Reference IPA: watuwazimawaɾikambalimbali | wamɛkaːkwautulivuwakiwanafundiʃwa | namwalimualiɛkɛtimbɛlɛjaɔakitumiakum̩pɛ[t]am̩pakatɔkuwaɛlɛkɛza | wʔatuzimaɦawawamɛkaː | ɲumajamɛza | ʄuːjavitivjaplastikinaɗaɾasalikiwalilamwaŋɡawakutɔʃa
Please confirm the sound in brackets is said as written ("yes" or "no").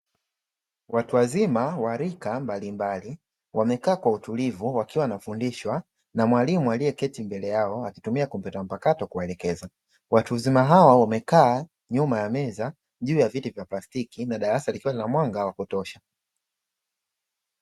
yes